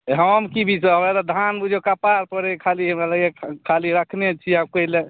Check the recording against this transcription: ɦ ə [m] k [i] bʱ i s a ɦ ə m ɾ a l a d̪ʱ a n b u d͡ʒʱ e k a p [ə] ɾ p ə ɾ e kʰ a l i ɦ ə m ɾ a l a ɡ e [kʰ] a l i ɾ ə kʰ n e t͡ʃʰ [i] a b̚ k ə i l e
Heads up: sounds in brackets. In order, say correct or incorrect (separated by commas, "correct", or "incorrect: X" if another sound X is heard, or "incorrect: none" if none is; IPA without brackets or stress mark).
correct, correct, incorrect: a, correct, correct